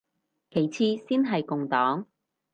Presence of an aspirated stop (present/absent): present